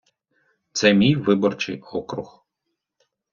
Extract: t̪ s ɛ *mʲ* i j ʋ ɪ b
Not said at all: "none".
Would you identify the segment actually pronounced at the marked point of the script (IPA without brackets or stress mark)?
mʲ